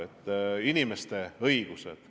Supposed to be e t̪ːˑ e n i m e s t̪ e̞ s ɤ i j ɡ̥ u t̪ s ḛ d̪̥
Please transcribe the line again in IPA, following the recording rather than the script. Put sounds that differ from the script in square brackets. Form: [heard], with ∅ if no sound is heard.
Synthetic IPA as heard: e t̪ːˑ [i] n i m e s t̪ e̞ [∅] ɤ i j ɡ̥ u [∅] s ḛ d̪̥